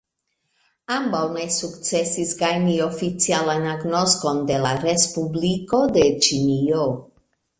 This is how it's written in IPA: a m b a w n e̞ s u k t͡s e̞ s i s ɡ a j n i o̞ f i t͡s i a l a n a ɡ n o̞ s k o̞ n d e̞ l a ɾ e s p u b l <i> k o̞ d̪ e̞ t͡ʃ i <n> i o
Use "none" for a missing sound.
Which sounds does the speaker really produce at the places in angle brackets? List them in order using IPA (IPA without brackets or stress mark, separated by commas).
i, n